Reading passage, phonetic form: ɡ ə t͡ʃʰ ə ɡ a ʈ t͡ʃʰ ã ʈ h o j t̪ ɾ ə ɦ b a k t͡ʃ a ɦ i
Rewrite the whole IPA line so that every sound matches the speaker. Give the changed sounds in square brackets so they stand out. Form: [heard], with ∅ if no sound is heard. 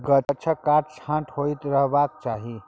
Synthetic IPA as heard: ɡ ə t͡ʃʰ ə [k] a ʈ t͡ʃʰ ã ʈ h o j t̪ ɾ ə ɦ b a k t͡ʃ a ɦ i